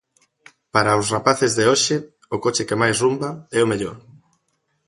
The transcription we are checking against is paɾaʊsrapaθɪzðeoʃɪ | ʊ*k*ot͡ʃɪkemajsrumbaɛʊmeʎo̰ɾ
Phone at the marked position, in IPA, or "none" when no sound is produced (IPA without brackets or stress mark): k